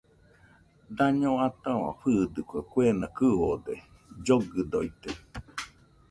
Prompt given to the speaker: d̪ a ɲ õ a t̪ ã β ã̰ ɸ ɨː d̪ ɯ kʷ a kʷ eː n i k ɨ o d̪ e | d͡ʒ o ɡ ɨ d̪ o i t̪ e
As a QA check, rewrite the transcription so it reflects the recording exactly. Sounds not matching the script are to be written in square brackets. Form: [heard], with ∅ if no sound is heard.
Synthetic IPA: d̪ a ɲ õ a t̪ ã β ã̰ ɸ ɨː d̪ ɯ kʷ a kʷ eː n [a] k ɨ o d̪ e | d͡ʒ o ɡ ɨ d̪ o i t̪ e